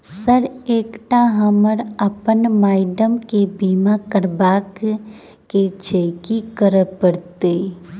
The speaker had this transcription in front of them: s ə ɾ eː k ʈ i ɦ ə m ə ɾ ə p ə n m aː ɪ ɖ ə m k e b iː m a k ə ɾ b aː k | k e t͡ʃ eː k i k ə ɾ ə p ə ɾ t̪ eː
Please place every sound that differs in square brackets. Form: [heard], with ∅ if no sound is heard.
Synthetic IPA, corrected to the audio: s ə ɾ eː k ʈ [a] ɦ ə m ə ɾ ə p ə n m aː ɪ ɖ ə m k e b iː m a k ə ɾ b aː k | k e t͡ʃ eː k i k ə ɾ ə p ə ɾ t̪ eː